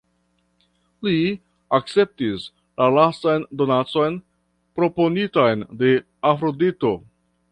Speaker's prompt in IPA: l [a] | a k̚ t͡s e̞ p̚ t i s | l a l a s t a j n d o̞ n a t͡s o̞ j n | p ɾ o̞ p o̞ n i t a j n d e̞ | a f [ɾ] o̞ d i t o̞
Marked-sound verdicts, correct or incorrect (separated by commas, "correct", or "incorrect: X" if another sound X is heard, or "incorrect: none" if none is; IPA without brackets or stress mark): incorrect: i, correct